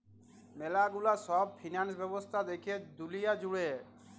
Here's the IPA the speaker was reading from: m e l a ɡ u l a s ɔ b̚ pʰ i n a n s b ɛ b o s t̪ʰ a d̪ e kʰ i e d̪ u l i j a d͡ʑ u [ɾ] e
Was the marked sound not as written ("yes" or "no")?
yes